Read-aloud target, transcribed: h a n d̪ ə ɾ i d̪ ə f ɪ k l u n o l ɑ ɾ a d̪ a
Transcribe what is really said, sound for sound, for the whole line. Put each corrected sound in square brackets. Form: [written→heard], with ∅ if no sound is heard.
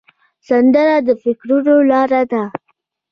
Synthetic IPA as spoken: [h→s] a n d̪ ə ɾ [i→a] d̪ ə f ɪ k [l→ɾ] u n o l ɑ ɾ a d̪ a